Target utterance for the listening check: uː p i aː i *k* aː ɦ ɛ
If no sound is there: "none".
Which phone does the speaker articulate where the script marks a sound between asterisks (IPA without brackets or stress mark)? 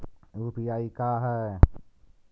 k